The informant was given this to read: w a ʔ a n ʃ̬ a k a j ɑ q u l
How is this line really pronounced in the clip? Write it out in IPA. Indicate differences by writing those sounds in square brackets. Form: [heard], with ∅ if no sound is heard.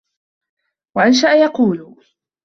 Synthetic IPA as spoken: w a ʔ a n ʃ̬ a [ʔ] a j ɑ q [uː] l